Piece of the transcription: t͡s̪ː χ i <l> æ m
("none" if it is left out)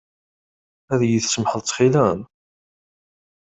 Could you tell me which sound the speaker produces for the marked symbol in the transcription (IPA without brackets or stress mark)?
l